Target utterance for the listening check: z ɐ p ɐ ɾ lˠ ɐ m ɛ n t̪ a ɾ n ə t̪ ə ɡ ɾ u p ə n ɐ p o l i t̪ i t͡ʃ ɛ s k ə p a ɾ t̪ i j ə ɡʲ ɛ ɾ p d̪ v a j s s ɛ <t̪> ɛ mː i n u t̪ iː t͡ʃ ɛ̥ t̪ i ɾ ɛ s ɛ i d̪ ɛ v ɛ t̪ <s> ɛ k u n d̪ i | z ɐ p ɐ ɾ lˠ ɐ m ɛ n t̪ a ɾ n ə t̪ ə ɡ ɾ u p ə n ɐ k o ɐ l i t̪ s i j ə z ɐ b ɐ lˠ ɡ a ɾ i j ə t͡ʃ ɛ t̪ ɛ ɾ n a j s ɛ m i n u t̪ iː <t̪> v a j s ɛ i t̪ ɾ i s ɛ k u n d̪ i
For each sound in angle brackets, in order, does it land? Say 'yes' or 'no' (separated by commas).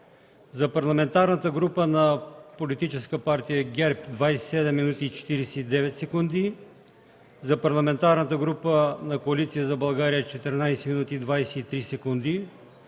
no, yes, no